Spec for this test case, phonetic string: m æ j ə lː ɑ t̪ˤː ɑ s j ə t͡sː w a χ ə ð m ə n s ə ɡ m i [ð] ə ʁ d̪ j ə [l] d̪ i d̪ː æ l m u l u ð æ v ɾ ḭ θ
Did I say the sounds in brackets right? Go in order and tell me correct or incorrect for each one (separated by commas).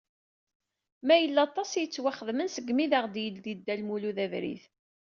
correct, correct